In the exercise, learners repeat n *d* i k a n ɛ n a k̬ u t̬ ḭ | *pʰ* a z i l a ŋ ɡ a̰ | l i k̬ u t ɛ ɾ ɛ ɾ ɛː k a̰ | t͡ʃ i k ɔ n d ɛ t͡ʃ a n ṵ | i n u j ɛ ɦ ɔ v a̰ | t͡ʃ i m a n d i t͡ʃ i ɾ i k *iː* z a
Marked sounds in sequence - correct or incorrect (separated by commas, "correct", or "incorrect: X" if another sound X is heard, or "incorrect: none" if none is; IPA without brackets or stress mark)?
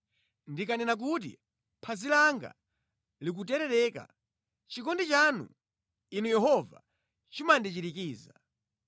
correct, correct, correct